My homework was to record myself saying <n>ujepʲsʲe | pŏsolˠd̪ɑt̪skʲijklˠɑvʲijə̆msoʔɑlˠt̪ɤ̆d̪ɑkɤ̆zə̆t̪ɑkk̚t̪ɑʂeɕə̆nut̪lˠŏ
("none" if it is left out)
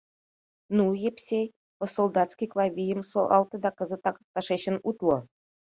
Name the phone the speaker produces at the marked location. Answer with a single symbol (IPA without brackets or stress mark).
n